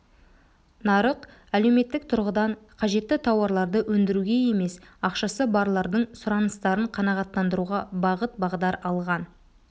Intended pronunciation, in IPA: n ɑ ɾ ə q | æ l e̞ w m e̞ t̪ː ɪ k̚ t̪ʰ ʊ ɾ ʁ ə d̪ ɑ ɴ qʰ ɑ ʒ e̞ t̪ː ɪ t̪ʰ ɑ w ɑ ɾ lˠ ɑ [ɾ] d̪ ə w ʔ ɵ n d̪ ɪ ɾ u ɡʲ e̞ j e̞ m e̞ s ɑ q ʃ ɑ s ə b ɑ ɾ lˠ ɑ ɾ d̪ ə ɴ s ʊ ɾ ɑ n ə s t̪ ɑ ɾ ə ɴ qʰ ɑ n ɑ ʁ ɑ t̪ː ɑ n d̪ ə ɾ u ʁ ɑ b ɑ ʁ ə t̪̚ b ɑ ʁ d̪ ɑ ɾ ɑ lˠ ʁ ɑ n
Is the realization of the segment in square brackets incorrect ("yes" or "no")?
no